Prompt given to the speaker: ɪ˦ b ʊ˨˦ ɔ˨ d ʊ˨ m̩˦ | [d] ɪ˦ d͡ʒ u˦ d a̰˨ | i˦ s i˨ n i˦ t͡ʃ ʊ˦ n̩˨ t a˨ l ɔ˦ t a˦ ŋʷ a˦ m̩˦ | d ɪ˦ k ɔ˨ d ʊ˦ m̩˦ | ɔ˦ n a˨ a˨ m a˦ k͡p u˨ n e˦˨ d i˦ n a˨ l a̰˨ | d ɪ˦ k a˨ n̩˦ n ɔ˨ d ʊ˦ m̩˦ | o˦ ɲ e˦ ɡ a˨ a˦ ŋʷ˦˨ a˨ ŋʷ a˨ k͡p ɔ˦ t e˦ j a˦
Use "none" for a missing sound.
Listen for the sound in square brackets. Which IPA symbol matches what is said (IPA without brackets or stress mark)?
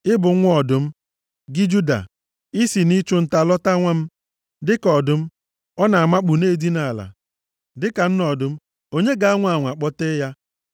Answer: ɡ